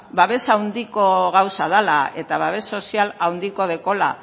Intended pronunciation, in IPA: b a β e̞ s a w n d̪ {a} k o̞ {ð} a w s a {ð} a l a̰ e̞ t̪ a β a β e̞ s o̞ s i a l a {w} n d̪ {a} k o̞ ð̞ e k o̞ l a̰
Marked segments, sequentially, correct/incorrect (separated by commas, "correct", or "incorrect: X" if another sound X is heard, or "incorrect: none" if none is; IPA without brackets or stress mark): incorrect: i, incorrect: ɣ, correct, correct, incorrect: i